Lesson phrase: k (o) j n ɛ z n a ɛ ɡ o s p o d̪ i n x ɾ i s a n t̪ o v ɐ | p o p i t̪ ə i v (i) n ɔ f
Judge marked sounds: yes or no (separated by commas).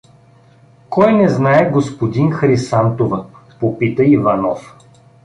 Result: no, no